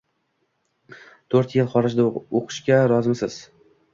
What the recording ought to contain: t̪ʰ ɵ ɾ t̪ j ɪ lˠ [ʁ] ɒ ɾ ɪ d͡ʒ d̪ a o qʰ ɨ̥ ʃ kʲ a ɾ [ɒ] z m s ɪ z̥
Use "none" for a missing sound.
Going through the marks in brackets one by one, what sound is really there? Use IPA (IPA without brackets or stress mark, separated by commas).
χ, ɒ